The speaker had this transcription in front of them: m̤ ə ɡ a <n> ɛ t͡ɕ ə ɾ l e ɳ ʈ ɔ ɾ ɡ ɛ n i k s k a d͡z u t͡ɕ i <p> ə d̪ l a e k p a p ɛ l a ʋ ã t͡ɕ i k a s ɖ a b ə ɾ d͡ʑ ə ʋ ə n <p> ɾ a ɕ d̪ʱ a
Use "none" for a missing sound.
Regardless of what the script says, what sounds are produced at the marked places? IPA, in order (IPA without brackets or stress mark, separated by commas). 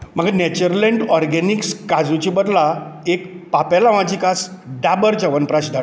n, b, p